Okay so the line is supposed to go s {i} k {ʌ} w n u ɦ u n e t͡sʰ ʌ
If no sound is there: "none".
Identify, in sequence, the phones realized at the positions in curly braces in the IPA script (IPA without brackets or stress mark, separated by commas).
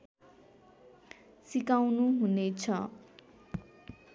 i, a